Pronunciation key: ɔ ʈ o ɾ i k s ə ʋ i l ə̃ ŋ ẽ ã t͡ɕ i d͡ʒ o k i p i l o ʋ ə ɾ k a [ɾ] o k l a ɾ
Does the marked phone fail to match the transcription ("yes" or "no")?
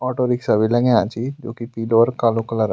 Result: yes